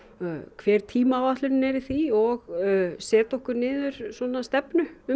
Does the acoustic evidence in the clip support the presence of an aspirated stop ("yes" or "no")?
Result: yes